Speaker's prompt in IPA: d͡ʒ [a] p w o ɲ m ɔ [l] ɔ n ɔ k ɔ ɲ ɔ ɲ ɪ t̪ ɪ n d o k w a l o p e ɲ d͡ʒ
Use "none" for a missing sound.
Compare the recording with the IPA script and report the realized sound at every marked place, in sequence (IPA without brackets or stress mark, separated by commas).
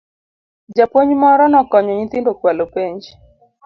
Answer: a, ɾ